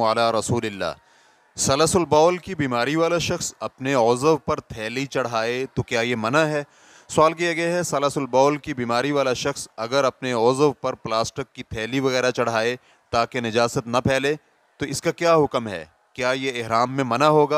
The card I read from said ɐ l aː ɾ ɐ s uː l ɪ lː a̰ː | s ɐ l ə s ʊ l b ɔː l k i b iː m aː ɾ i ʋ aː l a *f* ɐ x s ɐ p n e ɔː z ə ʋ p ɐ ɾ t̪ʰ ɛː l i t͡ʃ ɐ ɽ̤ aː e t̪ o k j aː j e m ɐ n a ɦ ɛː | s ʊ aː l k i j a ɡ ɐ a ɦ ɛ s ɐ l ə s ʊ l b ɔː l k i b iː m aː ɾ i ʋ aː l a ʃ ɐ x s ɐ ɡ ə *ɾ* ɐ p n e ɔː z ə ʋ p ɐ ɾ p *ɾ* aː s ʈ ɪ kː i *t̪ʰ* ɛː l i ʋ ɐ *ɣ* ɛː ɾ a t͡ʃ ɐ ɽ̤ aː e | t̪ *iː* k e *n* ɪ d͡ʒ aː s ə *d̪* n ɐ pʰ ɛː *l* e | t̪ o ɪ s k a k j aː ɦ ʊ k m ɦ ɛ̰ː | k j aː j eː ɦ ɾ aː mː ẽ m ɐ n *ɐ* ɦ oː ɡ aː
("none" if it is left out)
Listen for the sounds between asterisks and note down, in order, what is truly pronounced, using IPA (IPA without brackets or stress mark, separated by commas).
ʃ, ɾ, l, t̪ʰ, ɣ, aː, n, t̪, l, a